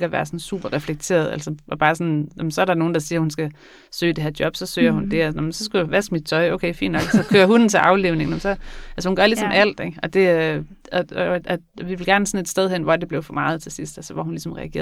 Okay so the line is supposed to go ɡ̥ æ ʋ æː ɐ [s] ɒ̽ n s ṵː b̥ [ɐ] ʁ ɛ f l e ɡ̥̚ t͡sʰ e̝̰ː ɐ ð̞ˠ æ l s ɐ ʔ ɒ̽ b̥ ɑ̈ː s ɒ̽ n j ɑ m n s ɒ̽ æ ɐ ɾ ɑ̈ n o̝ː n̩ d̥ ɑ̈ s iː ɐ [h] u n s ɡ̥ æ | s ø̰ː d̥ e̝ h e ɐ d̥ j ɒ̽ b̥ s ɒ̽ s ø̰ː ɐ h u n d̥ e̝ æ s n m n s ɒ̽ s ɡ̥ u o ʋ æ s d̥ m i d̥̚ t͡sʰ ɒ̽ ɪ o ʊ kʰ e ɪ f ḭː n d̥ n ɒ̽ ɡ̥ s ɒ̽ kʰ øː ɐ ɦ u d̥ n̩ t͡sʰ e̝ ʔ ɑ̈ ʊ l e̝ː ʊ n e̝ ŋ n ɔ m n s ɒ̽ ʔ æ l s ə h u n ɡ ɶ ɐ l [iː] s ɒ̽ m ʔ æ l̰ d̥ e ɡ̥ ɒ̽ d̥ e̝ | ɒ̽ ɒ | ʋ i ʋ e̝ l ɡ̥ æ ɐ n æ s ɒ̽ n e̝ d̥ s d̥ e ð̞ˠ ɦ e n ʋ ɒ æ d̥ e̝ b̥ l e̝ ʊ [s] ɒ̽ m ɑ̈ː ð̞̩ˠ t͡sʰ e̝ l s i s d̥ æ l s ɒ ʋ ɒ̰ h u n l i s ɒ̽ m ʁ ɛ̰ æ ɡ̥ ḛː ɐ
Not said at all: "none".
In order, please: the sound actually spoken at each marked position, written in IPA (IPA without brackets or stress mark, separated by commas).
s, ɐ, h, i, f